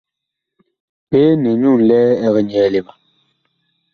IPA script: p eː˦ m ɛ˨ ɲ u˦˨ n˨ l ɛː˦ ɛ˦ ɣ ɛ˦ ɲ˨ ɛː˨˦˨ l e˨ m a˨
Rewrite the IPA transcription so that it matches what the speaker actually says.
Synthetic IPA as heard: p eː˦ n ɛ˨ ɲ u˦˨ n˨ l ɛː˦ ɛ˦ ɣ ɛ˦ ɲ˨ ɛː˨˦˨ l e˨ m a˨